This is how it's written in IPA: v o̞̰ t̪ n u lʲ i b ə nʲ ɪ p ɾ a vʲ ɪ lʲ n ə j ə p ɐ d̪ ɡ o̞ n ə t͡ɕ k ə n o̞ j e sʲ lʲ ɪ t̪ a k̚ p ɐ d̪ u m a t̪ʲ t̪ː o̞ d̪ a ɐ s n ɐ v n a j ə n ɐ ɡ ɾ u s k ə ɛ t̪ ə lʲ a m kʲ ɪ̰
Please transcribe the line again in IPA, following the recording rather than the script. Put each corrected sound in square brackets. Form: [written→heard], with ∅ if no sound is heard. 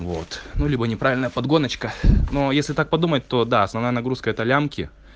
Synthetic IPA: v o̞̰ t̪ n u lʲ i b ə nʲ ɪ p ɾ a vʲ ɪ lʲ n ə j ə p ɐ d̪ ɡ o̞ n ə t͡ɕ k ə n o̞ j e sʲ lʲ ɪ t̪ a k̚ p ɐ d̪ u m [a→ə] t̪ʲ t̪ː o̞ d̪ a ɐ s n ɐ v n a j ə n ɐ ɡ ɾ u s k ə ɛ t̪ ə lʲ a m kʲ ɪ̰

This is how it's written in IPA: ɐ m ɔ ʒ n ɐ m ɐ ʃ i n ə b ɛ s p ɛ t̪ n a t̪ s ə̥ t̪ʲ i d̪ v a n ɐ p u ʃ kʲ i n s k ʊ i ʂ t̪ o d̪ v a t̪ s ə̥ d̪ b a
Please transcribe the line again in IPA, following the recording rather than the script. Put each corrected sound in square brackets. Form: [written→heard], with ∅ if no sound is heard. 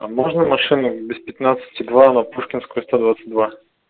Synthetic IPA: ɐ m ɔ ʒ n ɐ m ɐ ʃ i n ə b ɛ s p ɛ t̪ n a t̪ s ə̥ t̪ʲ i d̪ v a n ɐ p u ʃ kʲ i n s k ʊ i [ʂ→s] t̪ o d̪ v a t̪ s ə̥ d̪ [b→v] a

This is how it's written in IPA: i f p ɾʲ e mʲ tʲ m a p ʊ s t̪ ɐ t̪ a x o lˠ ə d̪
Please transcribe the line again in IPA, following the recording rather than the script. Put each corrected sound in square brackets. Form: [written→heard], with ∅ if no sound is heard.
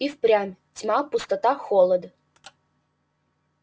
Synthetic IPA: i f p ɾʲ [e→a] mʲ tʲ m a p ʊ s t̪ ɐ t̪ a x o lˠ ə d̪

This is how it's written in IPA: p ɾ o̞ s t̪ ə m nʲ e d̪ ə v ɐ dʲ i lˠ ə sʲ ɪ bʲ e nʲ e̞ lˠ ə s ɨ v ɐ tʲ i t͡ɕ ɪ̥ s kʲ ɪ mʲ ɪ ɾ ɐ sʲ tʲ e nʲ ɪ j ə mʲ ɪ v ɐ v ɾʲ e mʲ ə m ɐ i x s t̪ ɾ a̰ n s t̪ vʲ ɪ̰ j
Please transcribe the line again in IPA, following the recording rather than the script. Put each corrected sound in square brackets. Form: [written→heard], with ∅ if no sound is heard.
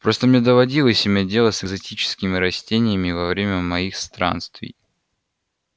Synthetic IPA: p ɾ o̞ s t̪ ə m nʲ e d̪ ə v ɐ dʲ i lˠ ə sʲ ɪ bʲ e [nʲ→dʲ] e̞ lˠ ə s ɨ [v→z] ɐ tʲ i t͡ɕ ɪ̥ s kʲ ɪ mʲ ɪ ɾ ɐ sʲ tʲ e nʲ ɪ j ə mʲ ɪ v ɐ v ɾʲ e mʲ ə m ɐ i x s t̪ ɾ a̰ n s t̪ vʲ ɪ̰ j

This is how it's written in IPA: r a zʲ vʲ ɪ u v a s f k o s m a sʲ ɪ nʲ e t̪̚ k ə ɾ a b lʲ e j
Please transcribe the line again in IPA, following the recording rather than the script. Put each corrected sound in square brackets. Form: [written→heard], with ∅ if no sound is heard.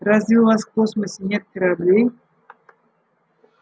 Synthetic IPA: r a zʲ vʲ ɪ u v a s f k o s m [a→ə] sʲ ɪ nʲ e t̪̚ k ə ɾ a b lʲ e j

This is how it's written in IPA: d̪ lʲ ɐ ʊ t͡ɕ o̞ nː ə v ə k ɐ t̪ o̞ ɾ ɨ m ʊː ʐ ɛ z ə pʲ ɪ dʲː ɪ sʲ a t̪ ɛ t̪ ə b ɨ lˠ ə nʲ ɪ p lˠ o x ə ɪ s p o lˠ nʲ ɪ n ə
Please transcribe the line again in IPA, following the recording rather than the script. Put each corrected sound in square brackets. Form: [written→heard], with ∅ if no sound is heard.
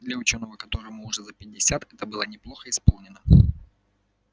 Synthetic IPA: d̪ lʲ ɐ ʊ t͡ɕ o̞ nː ə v ə k ɐ t̪ o̞ ɾ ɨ m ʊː ʐ ɛ z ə pʲ ɪ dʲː ɪ sʲ a t̪ ɛ t̪ ə b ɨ lˠ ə nʲ ɪ p lˠ o x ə ɪ s p o lˠ nʲ ɪ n ə

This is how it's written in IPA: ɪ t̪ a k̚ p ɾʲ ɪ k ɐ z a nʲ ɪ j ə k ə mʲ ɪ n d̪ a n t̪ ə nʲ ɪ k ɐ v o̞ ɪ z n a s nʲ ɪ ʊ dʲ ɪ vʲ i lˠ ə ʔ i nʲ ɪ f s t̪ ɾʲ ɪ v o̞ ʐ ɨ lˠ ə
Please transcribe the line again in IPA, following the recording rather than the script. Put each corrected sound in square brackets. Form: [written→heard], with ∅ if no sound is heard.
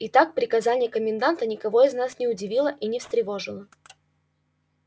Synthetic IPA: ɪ t̪ a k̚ p ɾʲ ɪ k ɐ z a nʲ ɪ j ə k ə mʲ ɪ n d̪ a n t̪ ə nʲ ɪ k ɐ v o̞ ɪ z n a s nʲ ɪ ʊ dʲ ɪ vʲ i lˠ ə ʔ i nʲ ɪ f s t̪ ɾʲ ɪ v o̞ ʐ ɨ lˠ ə

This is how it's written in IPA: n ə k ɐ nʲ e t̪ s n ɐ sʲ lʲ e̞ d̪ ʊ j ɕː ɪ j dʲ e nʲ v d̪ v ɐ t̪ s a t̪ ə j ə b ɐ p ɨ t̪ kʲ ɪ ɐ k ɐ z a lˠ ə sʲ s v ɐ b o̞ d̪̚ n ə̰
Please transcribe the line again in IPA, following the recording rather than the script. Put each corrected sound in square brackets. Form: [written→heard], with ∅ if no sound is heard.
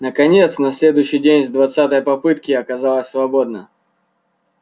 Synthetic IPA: n ə k ɐ nʲ e t̪ s n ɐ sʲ lʲ e̞ d̪ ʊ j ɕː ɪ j dʲ e nʲ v d̪ v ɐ t̪ s a t̪ ə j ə [b→p] ɐ p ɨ t̪ kʲ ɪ ɐ k ɐ z a lˠ ə sʲ s v ɐ b o̞ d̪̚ n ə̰

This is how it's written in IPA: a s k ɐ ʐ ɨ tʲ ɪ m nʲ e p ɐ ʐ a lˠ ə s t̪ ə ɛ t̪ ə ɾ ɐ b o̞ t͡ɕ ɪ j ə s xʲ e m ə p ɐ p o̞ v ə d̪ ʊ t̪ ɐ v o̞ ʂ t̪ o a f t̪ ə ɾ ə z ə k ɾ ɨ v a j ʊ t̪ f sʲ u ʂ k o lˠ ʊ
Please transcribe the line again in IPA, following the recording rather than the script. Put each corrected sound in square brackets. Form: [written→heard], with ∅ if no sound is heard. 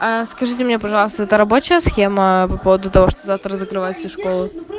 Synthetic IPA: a s k ɐ ʐ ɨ tʲ ɪ m nʲ e p ɐ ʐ [a→ɑ] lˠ ə s t̪ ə ɛ t̪ ə ɾ ɐ b o̞ t͡ɕ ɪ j ə s xʲ e m ə p ɐ p o̞ v ə d̪ ʊ t̪ ɐ v o̞ ʂ t̪ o a f t̪ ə ɾ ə z ə k ɾ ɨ v a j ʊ t̪ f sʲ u ʂ k o lˠ ʊ

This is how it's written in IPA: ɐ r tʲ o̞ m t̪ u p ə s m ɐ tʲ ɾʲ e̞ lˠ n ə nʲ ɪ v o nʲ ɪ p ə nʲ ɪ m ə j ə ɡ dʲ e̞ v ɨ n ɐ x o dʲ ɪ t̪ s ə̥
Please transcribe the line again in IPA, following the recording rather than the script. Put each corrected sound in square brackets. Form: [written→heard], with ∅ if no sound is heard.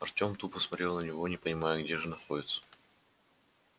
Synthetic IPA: ɐ r tʲ o̞ m t̪ u p ə s m ɐ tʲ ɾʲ e̞ lˠ n ə nʲ ɪ v o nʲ ɪ p ə nʲ ɪ m [ə→a] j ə ɡ dʲ e̞ [v→ʐ] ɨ n ɐ x o dʲ ɪ t̪ s ə̥

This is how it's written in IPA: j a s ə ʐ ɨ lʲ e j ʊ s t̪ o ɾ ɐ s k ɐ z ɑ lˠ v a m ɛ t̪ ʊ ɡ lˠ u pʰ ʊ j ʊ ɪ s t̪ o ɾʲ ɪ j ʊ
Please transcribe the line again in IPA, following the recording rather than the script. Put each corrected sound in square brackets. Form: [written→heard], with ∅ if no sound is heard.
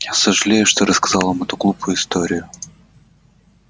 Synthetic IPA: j a s ə ʐ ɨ lʲ e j ʊ [s→ʂ] t̪ o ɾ [ɐ→ə] s k ɐ z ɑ lˠ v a m ɛ t̪ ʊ ɡ lˠ u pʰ ʊ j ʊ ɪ s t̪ o ɾʲ ɪ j ʊ

